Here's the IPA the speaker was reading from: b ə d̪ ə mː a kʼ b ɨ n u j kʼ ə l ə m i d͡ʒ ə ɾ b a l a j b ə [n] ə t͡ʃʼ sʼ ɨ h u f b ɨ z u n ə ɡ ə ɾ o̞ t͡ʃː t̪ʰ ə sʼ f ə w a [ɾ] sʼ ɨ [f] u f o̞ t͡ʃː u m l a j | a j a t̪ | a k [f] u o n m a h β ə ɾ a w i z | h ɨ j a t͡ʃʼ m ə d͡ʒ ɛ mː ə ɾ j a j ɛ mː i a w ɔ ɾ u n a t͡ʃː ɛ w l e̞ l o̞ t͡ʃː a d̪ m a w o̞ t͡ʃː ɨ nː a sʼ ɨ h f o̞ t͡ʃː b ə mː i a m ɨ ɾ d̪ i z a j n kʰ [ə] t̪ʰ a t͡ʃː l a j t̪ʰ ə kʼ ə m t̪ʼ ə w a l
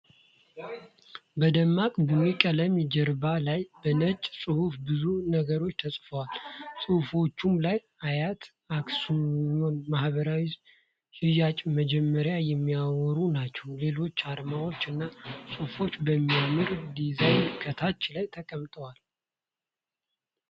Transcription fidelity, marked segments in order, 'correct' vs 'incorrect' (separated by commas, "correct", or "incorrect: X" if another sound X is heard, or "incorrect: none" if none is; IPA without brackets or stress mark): correct, incorrect: l, incorrect: h, incorrect: s, correct